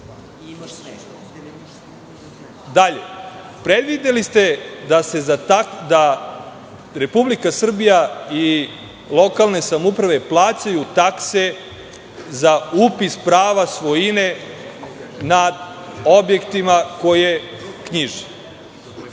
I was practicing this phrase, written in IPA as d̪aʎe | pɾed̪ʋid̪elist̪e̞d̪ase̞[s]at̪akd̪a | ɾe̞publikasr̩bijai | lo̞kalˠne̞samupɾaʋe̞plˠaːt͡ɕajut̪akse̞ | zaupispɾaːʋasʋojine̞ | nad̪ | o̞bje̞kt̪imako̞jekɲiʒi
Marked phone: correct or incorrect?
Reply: incorrect